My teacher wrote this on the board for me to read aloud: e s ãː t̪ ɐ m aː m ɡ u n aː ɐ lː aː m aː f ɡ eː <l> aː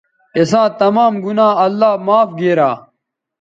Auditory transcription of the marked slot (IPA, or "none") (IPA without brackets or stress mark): ɾ